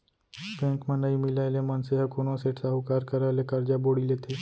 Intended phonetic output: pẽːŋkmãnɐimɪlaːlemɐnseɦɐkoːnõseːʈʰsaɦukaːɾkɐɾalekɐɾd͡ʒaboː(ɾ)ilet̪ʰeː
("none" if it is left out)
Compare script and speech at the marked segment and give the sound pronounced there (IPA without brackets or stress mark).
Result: ɽ